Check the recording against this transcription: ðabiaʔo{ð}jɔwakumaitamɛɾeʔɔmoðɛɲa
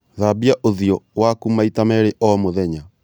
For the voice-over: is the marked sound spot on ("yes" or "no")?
yes